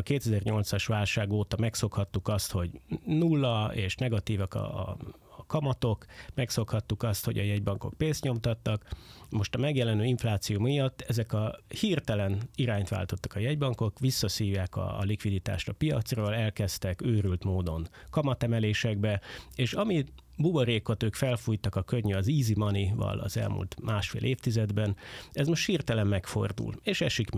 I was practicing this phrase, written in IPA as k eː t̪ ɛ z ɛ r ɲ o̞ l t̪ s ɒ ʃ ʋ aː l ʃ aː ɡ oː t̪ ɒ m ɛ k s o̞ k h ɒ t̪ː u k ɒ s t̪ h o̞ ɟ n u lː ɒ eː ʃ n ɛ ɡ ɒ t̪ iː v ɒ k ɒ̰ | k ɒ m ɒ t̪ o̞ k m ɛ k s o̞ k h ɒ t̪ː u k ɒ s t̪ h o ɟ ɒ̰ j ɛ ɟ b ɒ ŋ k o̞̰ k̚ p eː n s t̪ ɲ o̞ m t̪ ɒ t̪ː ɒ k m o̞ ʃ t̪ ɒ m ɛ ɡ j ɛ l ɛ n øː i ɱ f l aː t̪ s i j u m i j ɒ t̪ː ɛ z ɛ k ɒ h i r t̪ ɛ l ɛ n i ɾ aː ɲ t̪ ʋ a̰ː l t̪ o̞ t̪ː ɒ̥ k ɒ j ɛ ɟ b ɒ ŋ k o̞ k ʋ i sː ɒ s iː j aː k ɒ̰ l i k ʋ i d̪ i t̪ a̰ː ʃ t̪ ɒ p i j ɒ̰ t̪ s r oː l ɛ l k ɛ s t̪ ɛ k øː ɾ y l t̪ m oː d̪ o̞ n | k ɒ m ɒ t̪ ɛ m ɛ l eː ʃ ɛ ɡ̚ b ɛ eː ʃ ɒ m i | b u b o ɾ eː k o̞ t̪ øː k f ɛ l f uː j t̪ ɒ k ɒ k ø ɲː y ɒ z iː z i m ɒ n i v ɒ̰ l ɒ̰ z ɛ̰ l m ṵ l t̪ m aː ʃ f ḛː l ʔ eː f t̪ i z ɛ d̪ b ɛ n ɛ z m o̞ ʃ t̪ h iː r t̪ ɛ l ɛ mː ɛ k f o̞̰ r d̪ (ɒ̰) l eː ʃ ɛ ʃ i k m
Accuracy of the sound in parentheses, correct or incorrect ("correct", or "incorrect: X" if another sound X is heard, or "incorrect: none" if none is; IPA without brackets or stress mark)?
incorrect: ṵ